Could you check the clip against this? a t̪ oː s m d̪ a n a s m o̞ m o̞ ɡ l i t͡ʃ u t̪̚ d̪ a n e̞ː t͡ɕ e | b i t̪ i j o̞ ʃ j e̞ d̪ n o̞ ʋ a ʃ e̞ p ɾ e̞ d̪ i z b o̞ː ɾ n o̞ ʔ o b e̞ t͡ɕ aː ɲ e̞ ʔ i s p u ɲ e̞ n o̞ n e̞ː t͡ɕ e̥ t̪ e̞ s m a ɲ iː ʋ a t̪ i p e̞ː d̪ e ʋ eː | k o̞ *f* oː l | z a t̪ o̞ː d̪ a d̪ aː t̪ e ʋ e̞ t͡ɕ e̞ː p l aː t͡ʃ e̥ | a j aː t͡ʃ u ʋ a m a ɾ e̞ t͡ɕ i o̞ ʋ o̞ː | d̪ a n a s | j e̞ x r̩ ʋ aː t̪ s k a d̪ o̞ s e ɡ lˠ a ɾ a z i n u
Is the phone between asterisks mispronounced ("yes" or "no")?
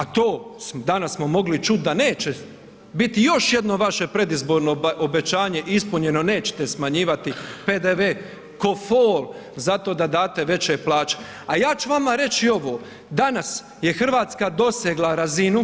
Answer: no